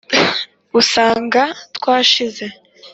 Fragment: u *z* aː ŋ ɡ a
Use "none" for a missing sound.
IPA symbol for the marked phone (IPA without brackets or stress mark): s